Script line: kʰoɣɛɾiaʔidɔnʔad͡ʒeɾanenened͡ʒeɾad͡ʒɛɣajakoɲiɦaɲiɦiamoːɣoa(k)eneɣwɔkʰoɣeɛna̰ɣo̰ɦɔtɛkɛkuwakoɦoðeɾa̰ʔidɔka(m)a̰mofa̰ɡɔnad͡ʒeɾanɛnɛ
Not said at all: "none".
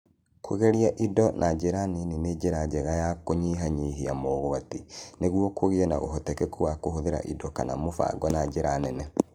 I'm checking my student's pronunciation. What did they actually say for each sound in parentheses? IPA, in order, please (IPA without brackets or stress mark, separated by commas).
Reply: t, n